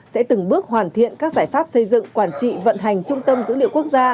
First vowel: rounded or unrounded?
unrounded